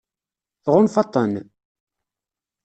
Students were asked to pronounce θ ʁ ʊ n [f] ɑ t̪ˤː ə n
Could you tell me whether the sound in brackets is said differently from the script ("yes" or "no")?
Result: no